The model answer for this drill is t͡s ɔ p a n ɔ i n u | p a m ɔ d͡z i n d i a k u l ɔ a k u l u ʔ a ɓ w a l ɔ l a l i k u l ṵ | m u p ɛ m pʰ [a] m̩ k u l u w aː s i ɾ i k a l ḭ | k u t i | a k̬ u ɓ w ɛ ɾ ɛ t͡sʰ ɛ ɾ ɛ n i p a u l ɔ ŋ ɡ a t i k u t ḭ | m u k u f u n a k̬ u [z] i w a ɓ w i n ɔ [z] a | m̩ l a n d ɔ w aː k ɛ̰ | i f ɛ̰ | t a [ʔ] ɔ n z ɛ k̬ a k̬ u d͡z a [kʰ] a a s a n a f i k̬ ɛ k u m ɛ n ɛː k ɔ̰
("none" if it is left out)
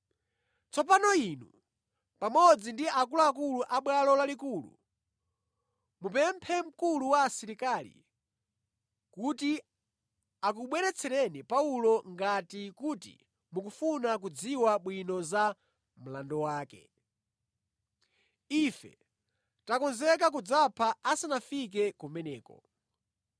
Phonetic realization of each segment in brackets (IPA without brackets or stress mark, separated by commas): ɛ, d͡z, z, k, pʰ